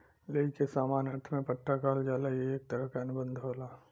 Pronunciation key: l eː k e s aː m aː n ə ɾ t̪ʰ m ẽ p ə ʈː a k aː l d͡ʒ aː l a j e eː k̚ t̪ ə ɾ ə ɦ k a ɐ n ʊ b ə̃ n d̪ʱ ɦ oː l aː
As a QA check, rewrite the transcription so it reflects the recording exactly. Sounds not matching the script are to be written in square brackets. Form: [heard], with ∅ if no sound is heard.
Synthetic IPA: l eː k e s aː m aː n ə ɾ t̪ʰ m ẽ p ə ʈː a k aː l d͡ʒ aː l a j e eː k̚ t̪ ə ɾ ə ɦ k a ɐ n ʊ b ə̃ n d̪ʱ ɦ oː l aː